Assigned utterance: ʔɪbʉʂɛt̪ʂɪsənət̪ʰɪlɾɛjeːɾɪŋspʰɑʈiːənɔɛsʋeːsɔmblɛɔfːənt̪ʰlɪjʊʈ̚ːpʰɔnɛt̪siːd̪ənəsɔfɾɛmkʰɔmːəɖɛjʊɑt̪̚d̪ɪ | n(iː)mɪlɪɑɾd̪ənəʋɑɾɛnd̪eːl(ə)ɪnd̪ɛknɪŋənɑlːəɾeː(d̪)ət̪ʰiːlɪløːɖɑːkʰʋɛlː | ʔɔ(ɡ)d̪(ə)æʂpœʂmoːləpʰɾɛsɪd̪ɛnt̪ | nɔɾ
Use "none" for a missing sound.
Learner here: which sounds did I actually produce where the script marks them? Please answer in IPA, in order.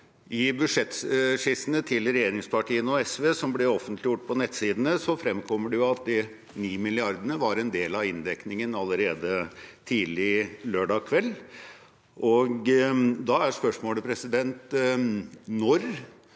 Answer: iː, ɑ, d̪, ɡ, ɑ

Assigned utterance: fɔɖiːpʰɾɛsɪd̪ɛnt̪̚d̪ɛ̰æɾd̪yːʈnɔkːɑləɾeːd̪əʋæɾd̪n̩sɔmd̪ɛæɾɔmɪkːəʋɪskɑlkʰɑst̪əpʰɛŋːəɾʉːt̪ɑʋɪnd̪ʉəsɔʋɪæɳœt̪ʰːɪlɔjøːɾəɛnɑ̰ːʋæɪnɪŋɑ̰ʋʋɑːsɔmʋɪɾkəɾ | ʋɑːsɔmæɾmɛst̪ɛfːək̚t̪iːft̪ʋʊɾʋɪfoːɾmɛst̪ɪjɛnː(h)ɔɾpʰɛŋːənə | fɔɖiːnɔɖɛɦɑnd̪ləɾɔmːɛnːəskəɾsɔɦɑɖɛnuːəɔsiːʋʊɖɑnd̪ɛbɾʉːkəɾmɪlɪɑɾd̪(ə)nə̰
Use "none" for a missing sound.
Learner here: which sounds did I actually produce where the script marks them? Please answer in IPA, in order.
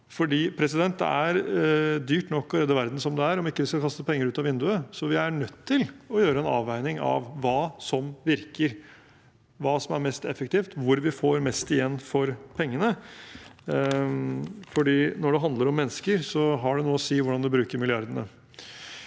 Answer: f, ə

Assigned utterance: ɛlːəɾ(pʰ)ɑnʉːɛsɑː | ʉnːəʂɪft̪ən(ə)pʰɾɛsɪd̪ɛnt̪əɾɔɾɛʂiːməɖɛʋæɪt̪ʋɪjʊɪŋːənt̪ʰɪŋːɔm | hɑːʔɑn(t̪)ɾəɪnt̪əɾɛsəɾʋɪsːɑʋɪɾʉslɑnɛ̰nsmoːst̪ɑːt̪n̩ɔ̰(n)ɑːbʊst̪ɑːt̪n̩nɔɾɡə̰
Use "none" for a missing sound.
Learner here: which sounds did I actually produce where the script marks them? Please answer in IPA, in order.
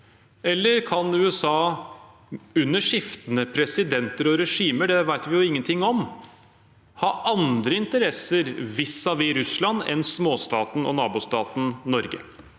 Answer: kʰ, ə, d̪, n

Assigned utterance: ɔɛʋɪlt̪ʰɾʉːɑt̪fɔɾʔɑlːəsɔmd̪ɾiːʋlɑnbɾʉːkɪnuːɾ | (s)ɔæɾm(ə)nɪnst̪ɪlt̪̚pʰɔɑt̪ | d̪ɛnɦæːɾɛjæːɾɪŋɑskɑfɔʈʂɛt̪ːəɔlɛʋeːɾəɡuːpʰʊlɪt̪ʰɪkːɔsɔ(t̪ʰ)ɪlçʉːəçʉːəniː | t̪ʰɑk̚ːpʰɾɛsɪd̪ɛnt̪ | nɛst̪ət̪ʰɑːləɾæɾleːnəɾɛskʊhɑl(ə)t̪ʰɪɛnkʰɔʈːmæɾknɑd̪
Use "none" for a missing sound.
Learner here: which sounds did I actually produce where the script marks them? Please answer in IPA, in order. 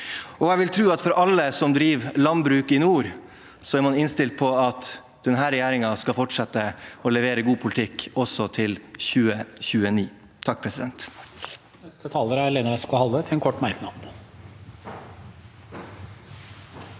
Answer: s, ɑ, t̪ʰ, ə

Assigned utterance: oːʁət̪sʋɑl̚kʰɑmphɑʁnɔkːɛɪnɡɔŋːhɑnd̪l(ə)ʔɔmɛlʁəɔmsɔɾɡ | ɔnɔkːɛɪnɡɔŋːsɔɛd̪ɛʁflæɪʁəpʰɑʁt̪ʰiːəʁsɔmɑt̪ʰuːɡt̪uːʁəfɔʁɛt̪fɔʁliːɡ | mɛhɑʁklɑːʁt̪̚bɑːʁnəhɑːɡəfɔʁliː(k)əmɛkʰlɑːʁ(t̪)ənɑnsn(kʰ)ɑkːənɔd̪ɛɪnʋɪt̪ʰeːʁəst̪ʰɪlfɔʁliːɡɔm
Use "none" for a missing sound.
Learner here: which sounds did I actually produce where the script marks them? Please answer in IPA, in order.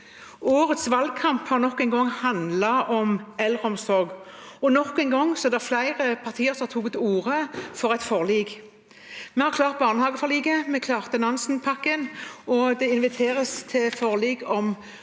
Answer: ɑ, ɡ, t̪, pʰ

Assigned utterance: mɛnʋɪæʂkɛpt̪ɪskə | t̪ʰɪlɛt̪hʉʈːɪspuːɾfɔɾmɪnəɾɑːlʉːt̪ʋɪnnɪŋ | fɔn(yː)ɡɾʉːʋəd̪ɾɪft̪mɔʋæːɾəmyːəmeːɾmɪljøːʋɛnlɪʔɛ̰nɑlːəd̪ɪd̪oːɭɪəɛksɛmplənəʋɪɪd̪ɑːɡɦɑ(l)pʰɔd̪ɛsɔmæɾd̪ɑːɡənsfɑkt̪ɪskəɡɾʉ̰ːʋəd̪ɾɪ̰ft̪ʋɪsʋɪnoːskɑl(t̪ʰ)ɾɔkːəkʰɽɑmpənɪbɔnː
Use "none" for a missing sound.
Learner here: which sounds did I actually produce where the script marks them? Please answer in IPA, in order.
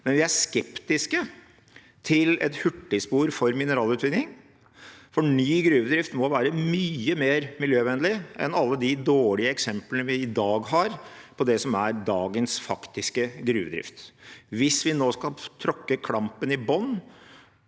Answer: yː, ɾ, t̪ʰ

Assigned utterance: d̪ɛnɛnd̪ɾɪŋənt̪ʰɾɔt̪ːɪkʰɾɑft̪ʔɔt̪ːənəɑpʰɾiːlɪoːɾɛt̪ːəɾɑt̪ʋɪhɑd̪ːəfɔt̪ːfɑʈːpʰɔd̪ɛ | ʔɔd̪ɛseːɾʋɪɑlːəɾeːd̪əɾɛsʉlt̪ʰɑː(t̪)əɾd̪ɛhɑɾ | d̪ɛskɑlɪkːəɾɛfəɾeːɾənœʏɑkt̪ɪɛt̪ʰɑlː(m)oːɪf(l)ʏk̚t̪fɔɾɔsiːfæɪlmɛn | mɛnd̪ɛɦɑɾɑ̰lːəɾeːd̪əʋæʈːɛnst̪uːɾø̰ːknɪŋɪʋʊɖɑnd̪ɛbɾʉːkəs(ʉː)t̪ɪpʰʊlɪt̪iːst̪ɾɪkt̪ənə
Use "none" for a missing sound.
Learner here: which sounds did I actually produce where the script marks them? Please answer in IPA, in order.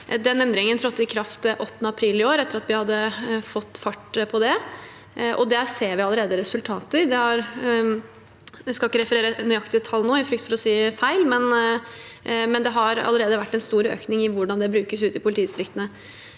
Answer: t̪, n, ɾ, ʉː

